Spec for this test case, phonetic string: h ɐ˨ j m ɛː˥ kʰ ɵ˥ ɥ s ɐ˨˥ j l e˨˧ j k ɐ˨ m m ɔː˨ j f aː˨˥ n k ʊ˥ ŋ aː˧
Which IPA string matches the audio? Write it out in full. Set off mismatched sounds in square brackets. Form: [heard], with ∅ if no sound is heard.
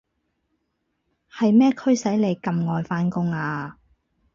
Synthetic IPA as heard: h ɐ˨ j m ɛː˥ kʰ ɵ˥ ɥ s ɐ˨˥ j l e˨˧ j k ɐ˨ m [ŋ] ɔː˨ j f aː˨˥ n k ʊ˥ ŋ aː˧